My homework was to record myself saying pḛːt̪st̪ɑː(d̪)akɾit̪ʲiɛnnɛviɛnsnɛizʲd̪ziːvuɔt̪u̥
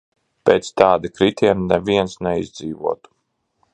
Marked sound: correct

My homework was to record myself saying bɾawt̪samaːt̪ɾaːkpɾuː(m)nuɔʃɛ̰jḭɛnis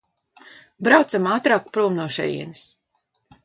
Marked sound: correct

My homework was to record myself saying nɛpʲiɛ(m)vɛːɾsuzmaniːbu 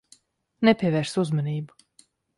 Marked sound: incorrect: none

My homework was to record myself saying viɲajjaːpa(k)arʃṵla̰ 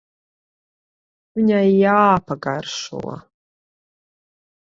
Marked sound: incorrect: ɡ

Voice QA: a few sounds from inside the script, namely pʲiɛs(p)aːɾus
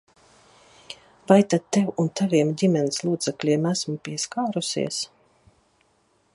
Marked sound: incorrect: k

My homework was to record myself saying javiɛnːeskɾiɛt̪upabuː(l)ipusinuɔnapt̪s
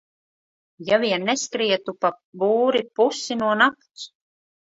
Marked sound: incorrect: ɾ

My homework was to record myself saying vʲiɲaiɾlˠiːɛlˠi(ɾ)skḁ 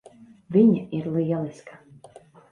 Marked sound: incorrect: none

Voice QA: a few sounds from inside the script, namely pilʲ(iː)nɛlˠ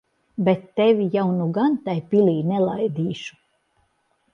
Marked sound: correct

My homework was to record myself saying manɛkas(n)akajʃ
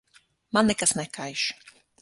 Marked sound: correct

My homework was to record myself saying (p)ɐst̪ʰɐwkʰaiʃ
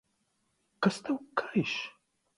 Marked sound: incorrect: k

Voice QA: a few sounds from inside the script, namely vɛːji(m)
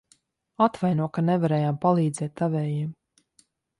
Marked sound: correct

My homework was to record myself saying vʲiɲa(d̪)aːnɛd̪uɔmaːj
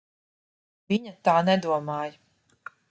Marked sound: incorrect: t̪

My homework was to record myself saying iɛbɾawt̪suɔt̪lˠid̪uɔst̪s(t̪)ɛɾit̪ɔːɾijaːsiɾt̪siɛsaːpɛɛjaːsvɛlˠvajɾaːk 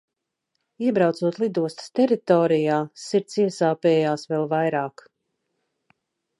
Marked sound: correct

